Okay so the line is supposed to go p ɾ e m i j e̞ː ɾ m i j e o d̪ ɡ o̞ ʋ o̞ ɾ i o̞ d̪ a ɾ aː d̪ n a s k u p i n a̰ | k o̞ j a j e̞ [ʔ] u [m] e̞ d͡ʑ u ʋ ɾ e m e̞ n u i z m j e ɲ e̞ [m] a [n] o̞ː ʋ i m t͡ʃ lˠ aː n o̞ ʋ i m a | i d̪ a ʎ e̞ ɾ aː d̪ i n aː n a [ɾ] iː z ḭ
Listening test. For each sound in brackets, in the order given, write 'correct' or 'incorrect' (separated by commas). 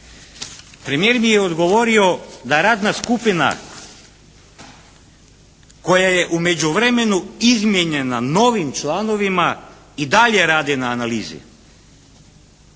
correct, correct, incorrect, correct, incorrect